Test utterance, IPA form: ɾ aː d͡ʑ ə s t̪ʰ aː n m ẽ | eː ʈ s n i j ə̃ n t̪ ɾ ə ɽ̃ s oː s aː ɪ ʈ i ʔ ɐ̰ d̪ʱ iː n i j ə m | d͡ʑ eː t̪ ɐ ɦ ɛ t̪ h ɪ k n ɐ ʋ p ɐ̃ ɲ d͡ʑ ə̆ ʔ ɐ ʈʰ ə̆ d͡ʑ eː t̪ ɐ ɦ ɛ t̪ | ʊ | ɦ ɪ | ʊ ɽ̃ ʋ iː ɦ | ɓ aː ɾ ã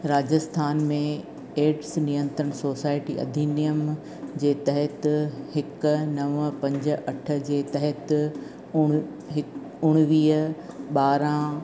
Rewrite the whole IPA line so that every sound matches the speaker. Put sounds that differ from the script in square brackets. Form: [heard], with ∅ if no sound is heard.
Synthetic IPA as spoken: ɾ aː d͡ʑ ə s t̪ʰ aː n m ẽ | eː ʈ s n i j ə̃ n t̪ ɾ ə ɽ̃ s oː s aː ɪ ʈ i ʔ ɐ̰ d̪ʱ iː n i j ə m | d͡ʑ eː t̪ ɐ ɦ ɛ t̪ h ɪ k n ɐ ʋ p ɐ̃ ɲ d͡ʑ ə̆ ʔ ɐ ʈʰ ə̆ d͡ʑ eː t̪ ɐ ɦ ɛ t̪ | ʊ | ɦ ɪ | ʊ ɽ̃ ʋ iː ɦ | ɓ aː ɾ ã